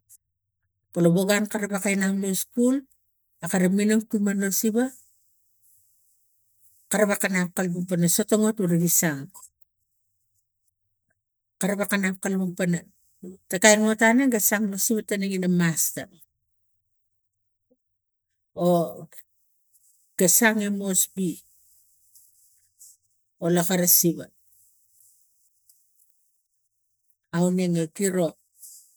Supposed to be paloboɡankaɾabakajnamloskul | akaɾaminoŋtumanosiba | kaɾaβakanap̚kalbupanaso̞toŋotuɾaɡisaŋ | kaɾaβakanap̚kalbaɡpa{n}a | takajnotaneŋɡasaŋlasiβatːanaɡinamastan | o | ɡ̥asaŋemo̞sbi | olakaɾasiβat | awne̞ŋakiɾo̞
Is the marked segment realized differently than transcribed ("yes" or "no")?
no